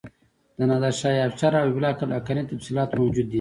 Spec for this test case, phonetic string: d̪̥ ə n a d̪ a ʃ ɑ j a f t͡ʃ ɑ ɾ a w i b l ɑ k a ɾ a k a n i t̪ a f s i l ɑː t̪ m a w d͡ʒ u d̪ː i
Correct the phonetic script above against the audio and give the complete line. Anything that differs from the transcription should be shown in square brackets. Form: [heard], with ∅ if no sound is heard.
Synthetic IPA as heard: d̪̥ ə n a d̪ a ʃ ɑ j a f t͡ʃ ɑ ɾ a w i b l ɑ k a [l] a k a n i t̪ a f s i l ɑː t̪ m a w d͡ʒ u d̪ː i